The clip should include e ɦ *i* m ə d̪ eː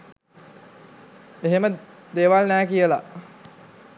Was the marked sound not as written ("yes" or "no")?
yes